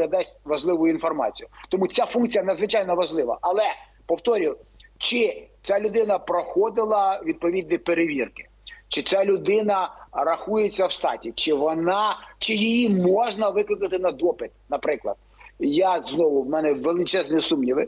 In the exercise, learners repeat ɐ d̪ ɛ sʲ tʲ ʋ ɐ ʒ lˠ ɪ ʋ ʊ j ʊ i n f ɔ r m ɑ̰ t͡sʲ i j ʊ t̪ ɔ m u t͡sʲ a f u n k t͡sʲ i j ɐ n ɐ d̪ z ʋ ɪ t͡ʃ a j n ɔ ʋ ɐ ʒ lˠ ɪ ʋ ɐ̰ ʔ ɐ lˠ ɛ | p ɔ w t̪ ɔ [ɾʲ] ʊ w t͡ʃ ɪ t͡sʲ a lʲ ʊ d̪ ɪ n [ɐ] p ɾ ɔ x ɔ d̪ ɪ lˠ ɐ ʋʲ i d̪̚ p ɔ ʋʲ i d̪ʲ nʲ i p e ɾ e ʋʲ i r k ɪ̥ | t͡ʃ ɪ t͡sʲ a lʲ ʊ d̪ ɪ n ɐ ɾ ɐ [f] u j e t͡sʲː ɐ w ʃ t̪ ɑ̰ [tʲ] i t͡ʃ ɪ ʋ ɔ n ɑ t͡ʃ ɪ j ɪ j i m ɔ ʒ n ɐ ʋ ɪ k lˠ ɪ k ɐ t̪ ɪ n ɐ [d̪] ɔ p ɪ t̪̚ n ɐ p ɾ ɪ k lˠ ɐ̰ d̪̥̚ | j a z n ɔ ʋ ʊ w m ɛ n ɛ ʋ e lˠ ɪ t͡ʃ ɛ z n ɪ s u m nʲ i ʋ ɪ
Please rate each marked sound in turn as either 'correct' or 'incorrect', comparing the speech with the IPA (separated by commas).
correct, correct, incorrect, correct, correct